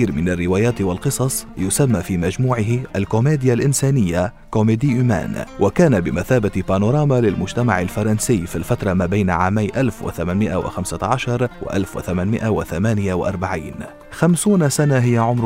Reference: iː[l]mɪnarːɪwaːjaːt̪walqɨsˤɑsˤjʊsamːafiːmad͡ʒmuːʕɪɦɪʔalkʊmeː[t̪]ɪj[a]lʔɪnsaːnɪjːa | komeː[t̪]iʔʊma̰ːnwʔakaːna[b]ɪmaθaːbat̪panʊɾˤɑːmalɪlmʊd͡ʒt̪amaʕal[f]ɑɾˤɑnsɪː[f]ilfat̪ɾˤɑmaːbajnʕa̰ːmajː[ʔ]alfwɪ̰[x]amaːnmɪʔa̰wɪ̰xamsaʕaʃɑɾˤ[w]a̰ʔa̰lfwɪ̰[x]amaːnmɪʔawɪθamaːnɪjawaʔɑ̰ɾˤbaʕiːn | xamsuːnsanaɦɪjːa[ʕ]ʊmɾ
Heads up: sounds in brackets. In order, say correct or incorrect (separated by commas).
incorrect, incorrect, correct, incorrect, correct, correct, correct, correct, incorrect, correct, incorrect, correct